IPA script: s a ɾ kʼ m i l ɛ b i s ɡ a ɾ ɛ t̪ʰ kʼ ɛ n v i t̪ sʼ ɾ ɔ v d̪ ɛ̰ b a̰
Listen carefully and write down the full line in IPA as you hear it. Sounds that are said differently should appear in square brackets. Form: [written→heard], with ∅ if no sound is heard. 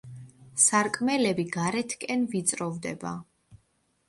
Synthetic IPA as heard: s a ɾ kʼ m [i→ɛ] l ɛ b i [s→∅] ɡ a ɾ ɛ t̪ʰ kʼ ɛ n v i t̪ sʼ ɾ ɔ v d̪ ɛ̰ b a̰